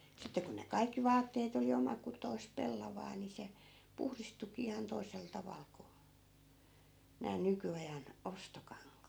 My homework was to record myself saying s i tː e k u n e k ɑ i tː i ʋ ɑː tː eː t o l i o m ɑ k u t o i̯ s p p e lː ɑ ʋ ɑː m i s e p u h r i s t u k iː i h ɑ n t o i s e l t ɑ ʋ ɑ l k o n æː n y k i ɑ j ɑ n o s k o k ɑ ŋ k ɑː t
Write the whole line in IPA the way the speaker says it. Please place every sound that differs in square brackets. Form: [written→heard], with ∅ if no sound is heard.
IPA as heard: s i tː e k u n e k ɑ i [tː→kː] i ʋ ɑː tː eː t o l i o m ɑ k u t o i̯ s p p e lː ɑ ʋ ɑː [m→n] i s e p u h r i s t u k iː i h ɑ n t o i s e l t ɑ ʋ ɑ l k o n æː n y k [i→y] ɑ j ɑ n o s [k→t] o k ɑ ŋ k ɑː t